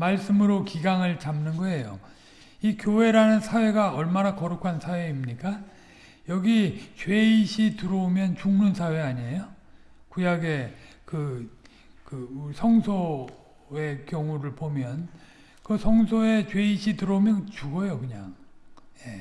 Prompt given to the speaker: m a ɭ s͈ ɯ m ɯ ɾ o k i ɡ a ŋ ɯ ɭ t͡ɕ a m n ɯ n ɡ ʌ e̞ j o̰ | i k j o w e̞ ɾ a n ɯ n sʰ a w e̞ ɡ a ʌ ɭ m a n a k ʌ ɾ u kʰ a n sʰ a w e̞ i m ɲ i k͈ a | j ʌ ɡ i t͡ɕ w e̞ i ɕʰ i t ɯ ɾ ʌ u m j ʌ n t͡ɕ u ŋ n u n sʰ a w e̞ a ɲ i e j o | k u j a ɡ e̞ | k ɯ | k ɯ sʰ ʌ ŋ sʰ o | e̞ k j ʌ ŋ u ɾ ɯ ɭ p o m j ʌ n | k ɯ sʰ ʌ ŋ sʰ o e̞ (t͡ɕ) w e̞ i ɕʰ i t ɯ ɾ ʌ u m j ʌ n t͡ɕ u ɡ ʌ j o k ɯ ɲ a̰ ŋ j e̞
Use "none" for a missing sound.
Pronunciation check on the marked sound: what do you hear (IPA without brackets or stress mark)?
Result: t͡ɕ